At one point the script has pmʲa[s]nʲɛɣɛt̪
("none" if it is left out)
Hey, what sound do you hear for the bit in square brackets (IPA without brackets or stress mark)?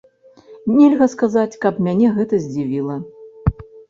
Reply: none